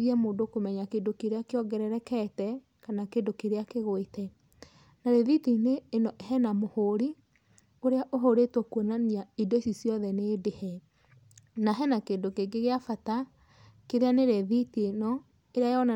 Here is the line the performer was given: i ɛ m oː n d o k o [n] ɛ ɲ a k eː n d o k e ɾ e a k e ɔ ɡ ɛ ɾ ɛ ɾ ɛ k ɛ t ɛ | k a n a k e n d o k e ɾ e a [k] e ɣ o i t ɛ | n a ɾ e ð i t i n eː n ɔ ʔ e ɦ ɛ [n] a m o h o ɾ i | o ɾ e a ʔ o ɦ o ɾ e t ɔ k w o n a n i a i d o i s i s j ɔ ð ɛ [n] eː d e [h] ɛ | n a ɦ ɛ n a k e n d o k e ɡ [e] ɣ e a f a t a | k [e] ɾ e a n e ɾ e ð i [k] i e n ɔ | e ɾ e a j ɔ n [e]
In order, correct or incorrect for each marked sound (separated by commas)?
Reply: incorrect, correct, correct, correct, correct, correct, correct, incorrect, incorrect